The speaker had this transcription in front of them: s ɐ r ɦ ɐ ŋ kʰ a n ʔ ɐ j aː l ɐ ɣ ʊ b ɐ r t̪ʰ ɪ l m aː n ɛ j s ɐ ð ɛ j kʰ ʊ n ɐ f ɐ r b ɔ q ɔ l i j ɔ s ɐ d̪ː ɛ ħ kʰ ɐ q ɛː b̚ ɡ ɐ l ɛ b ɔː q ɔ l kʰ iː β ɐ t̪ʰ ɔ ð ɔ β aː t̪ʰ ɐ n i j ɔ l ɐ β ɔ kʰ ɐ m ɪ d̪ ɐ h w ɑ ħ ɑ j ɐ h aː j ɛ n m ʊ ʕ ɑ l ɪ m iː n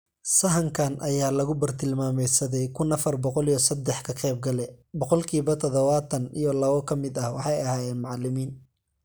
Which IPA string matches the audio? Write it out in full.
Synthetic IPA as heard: s ɐ ɦ ɐ ŋ kʰ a n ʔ ɐ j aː l ɐ ɣ ʊ b ɐ r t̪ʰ ɪ l m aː m ɛ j s ɐ ð ɛ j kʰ ʊ n ɐ f ɐ r b ɔ q ɔ l i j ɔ s ɐ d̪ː ɛ ħ kʰ ɐ q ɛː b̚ ɡ ɐ l ɛ b ɔ q ɔ l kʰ iː β ɐ t̪ʰ ɔ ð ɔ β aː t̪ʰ ɐ n i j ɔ l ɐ β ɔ kʰ ɐ m ɪ d̪ ɐ h w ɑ ħ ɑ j ɐ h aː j ɛː n m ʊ ʕ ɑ l ɪ m iː n

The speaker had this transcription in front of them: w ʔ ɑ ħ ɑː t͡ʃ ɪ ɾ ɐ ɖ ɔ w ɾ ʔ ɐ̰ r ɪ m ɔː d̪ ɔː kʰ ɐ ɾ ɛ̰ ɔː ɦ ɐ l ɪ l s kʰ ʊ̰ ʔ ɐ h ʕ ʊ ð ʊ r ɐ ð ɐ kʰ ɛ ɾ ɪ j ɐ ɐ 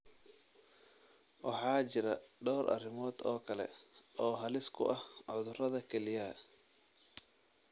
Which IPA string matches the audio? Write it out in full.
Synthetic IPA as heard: w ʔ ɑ ħ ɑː t͡ʃ ɪ ɾ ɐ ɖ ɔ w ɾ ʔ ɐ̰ r ɪ m ɔː d̪ ɔː kʰ ɐ l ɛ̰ ɔː ɦ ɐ l ɪ s kʰ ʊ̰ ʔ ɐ h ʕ ʊ ð ʊ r ɐ ð ɐ kʰ ɛ l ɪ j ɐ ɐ

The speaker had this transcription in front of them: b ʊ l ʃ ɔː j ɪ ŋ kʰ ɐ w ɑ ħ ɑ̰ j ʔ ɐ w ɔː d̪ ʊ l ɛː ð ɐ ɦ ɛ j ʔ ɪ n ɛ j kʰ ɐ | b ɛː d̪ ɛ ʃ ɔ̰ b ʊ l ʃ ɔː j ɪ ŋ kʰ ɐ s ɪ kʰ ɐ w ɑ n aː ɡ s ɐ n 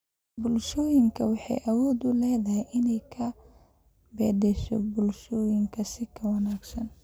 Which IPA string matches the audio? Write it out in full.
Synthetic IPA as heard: b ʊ l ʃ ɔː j ɪ ŋ kʰ ɐ w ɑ ħ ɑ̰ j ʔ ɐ w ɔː d̪ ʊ l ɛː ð ɐ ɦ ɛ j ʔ ɪ n ɛ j kʰ ɐ | b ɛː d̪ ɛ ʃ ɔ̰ b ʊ l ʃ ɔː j ɪ ŋ kʰ ɐ s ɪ kʰ ɐ w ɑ n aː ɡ s ɐ n

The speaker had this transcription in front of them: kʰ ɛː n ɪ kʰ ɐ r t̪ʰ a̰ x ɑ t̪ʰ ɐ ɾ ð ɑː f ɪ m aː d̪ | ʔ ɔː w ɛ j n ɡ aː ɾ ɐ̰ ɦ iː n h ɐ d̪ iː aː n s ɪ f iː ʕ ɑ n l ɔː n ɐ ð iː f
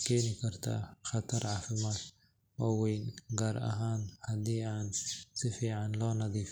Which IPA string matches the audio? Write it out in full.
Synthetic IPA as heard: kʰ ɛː n ɪ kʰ ɐ r t̪ʰ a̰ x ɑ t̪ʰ ɐ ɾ ʕ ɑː f ɪ m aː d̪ | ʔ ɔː w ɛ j n ɡ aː ɾ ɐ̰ ɦ aː n h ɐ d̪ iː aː n s ɪ f iː ʕ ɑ n l ɔː n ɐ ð iː f

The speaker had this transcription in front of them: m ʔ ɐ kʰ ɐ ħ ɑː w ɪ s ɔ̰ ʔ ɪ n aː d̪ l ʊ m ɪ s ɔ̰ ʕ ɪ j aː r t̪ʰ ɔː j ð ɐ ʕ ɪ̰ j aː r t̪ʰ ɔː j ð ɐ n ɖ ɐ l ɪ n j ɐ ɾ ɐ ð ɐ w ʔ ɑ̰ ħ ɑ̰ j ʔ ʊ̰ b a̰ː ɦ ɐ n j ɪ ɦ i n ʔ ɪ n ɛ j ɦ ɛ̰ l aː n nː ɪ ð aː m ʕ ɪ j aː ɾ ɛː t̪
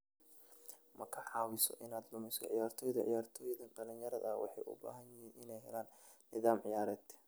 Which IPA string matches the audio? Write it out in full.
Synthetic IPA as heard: m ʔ ɐ kʰ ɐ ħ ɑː w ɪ s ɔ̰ ʔ ɪ n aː d̪ l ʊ m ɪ s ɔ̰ ʕ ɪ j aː r t̪ʰ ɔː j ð ɐ ʕ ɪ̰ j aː r t̪ʰ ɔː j ð ɐ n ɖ ɐ l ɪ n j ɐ ɾ ɐ ð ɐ w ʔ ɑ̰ ħ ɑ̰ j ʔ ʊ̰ b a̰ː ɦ ɐ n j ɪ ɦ i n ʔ ɪ n ɛ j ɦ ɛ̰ l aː n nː ɪ ð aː m ʕ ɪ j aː ɾ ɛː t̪

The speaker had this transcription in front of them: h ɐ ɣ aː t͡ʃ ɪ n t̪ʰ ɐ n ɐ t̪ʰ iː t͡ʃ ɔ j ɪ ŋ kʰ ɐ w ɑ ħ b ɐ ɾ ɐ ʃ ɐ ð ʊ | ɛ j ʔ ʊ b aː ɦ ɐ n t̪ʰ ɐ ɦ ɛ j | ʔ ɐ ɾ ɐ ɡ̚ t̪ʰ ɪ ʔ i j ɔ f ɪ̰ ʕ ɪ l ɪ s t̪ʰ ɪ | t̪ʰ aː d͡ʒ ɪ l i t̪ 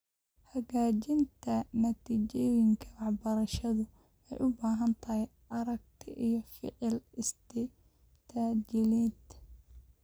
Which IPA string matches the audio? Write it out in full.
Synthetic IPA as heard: h ɐ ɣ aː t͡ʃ ɪ n t̪ʰ ɐ n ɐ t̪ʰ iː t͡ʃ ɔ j ɪ ŋ kʰ ɐ w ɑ ħ b ɐ ɾ ɐ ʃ ɐ ð ʊ | ɛ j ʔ ʊ b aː ɦ ɐ n t̪ʰ ɐ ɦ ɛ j | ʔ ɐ ɾ ɐ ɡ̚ t̪ʰ ɪ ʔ i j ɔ f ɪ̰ ʕ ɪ l ɪ s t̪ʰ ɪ | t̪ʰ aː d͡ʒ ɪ l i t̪

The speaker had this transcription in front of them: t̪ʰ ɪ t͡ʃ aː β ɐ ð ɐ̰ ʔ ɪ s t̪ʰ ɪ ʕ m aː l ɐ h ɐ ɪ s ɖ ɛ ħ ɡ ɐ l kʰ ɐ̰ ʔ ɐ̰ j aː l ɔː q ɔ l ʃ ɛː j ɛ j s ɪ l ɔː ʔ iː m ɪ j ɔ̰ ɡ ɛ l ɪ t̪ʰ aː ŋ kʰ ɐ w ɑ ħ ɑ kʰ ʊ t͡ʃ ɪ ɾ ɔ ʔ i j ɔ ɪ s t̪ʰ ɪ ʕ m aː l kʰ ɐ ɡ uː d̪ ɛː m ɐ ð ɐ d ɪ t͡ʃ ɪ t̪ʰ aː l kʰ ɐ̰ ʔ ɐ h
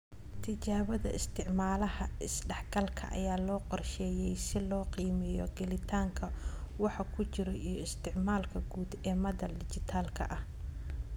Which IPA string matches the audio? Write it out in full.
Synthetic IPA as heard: t̪ʰ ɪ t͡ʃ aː β ɐ ð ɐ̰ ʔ ɪ s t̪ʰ ɪ ʕ m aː l ɐ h ɐ ɪ s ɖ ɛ ħ ɡ ɐ l kʰ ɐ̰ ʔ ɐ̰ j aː l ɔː q ɔ r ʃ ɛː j ɛ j s ɪ l ɔː q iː m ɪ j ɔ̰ ɡ ɛ l ɪ t̪ʰ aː ŋ kʰ ɐ w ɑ ħ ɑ kʰ ʊ t͡ʃ ɪ ɾ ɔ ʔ i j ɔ ɪ s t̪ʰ ɪ ʕ m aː l kʰ ɐ ɡ uː d̪ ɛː m ɐ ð ɐ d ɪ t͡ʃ ɪ t̪ʰ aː l kʰ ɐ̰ ʔ ɐ h

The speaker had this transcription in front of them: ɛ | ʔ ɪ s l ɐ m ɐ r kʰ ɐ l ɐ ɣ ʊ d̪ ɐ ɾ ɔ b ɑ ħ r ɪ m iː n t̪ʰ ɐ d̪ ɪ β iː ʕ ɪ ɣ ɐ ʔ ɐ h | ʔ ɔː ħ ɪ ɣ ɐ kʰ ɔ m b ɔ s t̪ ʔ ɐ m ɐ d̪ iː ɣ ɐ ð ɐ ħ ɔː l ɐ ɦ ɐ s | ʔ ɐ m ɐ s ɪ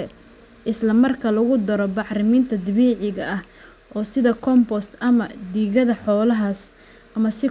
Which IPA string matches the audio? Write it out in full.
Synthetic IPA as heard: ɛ | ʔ ɪ s l ɐ m ɐ r kʰ ɐ l ɐ ɣ ʊ d̪ ɐ ɾ ɔ b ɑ ħ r ɪ m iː n t̪ʰ ɐ d̪ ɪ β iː ʕ ɪ ɣ ɐ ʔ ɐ h | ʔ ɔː s ɪ ð ɐ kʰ ɔ m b ɔ s t̪ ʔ ɐ m ɐ d̪ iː ɣ ɐ ð ɐ ħ ɔː l ɐ ɦ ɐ s | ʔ ɐ m ɐ s ɪ

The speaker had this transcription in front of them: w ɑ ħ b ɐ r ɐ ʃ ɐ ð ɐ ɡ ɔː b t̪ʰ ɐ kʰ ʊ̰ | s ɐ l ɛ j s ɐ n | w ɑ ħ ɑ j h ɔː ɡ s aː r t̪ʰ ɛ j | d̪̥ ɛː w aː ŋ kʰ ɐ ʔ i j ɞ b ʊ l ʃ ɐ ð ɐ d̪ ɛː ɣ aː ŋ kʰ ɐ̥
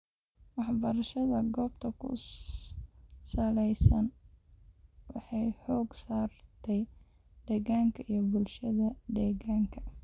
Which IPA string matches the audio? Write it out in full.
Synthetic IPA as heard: w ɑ ħ b ɐ ɾ ɐ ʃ ɐ ð ɐ ɡ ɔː b t̪ʰ ɐ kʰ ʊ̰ | s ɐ l ɛ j s ɐ n | w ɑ ħ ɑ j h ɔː ɡ s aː r t̪ʰ ɛ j | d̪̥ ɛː ɣ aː ŋ kʰ ɐ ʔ i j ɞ b ʊ l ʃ ɐ ð ɐ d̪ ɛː ɣ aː ŋ kʰ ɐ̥

